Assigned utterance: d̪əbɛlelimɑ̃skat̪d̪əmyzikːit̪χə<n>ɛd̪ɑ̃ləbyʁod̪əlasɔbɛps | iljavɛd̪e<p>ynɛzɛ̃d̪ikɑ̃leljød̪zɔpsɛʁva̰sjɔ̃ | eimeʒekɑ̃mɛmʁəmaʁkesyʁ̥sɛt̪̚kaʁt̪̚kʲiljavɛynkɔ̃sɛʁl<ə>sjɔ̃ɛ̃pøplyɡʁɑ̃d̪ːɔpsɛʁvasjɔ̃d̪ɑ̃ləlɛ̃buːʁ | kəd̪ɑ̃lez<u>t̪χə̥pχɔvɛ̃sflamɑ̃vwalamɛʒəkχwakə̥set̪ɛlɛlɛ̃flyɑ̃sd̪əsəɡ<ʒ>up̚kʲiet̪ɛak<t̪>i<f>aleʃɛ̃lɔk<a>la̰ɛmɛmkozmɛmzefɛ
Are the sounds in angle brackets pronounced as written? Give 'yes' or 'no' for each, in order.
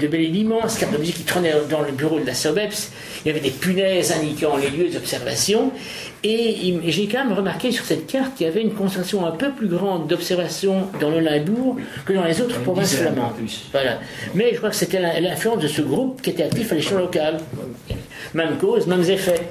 yes, yes, no, no, no, yes, yes, yes

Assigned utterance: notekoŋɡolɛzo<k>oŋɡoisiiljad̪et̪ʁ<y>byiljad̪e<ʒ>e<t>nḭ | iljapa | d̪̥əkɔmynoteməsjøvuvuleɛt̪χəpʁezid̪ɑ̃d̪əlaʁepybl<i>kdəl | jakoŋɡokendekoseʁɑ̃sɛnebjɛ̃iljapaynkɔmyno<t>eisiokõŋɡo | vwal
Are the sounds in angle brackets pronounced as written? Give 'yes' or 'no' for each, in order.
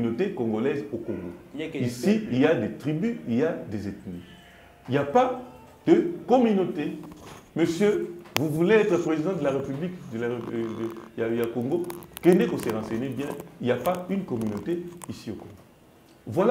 yes, no, no, yes, yes, yes

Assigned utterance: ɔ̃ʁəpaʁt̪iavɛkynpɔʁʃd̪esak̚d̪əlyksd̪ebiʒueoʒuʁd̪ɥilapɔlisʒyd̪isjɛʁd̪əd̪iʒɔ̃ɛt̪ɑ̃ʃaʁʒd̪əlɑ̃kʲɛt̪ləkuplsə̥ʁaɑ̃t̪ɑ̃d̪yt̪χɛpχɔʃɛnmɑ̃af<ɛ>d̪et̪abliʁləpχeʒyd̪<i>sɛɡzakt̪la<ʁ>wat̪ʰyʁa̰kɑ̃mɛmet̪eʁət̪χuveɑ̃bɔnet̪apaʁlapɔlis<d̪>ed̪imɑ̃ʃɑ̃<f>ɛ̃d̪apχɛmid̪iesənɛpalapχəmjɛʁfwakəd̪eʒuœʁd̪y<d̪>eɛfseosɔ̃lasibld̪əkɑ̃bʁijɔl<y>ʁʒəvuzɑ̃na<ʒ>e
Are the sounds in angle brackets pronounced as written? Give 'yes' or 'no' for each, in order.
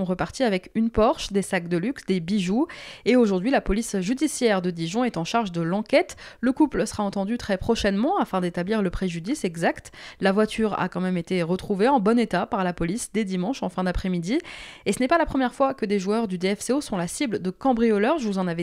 no, yes, no, yes, yes, yes, no, no

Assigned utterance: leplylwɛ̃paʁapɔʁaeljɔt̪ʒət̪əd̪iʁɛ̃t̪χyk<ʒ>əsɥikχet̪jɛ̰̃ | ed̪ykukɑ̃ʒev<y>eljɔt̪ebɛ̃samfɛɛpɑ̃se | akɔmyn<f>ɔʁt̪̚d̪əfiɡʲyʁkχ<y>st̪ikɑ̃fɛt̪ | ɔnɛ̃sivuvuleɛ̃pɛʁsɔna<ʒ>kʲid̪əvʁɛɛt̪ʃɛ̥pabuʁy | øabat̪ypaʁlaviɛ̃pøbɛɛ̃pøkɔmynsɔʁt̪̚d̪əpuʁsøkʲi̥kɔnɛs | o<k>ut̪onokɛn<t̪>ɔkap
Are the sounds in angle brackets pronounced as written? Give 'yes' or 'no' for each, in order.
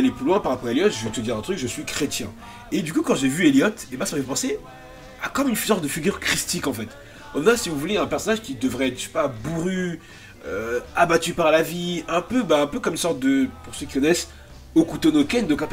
yes, yes, no, no, yes, yes, no

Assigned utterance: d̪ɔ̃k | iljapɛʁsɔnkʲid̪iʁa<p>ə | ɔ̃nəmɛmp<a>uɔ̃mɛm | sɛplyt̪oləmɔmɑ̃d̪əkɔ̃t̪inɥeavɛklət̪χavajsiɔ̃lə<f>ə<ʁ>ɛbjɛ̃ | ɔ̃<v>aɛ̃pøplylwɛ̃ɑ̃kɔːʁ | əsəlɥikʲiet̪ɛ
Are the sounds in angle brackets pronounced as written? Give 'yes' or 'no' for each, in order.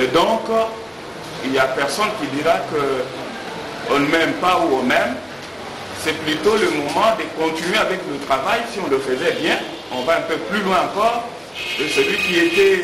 no, yes, yes, no, yes

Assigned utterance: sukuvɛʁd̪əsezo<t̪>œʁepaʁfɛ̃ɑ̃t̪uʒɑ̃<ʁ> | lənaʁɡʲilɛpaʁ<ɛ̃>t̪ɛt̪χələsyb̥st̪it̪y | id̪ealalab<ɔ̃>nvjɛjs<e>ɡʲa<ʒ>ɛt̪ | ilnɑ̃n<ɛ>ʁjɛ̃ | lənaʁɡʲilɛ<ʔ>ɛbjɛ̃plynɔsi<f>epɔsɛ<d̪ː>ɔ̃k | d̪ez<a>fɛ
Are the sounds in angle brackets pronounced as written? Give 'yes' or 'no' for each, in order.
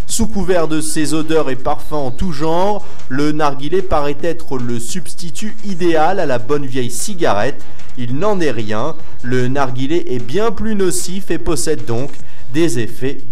no, yes, no, no, no, no, yes, yes, yes, yes, no

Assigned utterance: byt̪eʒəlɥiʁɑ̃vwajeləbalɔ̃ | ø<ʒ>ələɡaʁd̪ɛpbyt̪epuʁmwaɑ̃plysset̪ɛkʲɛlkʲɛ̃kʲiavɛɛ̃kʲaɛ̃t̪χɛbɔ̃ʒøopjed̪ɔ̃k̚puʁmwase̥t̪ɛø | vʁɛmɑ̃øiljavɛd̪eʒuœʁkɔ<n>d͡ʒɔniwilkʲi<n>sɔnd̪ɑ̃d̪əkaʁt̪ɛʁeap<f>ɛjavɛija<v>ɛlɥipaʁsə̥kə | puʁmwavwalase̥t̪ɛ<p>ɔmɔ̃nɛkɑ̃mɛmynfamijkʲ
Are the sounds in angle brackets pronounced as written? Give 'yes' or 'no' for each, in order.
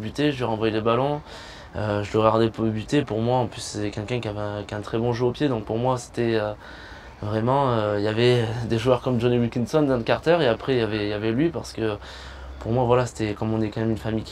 yes, no, yes, no, yes, no

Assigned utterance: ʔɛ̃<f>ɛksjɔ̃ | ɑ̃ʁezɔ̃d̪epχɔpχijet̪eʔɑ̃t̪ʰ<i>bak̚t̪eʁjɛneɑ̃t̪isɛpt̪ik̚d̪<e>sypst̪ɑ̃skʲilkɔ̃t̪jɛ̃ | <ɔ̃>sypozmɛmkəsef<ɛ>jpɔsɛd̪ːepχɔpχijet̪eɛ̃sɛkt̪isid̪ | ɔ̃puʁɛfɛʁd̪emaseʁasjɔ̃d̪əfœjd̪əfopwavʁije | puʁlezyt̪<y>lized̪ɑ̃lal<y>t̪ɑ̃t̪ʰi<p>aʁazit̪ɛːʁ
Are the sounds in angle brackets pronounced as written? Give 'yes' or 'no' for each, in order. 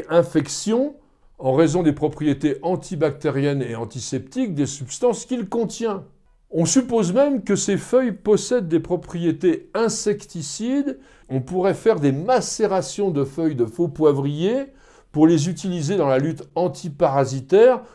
yes, yes, yes, yes, no, no, yes, yes

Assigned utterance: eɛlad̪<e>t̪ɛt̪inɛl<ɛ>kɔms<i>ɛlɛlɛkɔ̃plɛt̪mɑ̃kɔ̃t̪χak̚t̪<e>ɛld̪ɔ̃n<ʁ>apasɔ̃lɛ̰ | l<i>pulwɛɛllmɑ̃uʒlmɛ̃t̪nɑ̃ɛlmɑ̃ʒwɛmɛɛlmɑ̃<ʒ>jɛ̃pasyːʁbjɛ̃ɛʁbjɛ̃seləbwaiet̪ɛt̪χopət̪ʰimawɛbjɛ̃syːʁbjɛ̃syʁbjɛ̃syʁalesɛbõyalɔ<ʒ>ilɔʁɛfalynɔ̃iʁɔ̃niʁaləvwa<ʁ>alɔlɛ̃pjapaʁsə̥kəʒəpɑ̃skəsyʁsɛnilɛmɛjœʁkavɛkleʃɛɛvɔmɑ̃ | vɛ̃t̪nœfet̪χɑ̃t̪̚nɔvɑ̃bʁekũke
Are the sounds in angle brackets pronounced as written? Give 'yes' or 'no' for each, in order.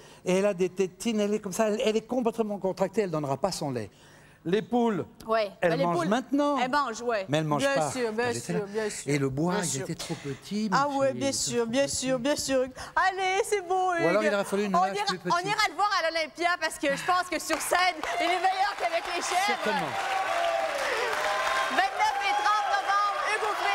yes, yes, no, yes, yes, no, yes, no, yes

